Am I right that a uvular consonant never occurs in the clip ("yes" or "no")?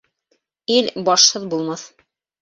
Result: yes